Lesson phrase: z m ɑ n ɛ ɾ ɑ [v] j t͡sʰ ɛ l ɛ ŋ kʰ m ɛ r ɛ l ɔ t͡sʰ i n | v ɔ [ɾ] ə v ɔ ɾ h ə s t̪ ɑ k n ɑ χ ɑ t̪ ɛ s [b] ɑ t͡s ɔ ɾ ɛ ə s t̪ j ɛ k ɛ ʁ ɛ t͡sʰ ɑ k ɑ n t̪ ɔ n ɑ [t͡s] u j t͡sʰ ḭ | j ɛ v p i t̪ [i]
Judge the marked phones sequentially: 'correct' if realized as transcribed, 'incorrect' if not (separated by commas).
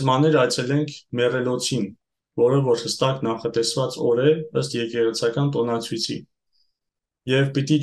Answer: incorrect, correct, incorrect, incorrect, correct